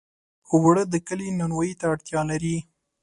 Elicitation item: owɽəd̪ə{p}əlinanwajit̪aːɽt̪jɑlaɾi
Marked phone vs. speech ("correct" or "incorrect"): incorrect